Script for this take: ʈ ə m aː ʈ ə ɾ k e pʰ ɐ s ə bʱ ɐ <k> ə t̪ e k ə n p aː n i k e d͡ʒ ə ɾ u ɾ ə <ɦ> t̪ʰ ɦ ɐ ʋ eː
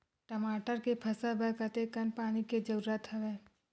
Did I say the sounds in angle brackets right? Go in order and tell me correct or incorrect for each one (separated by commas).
correct, incorrect